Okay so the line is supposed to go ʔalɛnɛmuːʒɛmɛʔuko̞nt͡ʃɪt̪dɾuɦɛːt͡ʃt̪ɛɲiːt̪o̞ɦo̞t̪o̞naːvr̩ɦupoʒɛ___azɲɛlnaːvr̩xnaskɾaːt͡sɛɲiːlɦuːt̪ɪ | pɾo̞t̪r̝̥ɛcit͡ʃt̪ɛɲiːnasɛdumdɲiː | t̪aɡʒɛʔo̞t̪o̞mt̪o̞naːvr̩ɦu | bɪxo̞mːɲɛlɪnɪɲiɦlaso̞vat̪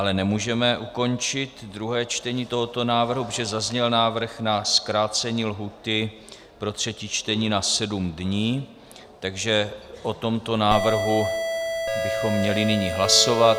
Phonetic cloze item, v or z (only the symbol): z